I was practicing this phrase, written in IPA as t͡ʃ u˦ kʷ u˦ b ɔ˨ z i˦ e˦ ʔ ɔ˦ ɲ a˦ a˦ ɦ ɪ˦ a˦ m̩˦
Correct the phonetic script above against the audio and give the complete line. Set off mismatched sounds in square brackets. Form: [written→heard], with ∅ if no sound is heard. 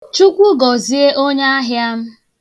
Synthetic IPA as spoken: t͡ʃ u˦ kʷ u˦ [b→ɡ] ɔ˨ z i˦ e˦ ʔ [ɔ˦→o˦] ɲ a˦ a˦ ɦ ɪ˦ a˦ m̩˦